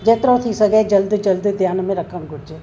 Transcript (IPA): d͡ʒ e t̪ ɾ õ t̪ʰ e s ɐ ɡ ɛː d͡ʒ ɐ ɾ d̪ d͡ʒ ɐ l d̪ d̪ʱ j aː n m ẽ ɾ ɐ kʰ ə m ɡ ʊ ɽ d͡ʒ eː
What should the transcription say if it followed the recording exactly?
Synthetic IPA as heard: d͡ʒ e t̪ ɾ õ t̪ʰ i s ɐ ɡ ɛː d͡ʒ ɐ l d̪ d͡ʒ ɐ l d̪ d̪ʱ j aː n m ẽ ɾ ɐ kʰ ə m ɡ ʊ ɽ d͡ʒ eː